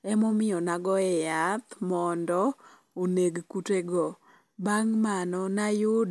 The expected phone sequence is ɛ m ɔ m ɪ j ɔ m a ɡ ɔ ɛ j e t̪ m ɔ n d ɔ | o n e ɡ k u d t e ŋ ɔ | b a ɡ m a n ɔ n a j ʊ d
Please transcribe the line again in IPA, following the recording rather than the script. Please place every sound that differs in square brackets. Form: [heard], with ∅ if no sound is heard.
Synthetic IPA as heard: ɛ m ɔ m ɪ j ɔ [n] a ɡ ɔ ɛ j [a] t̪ m ɔ n d ɔ | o n e ɡ k u [∅] t e [ɡ] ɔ | b a [ŋ] m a n ɔ n a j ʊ d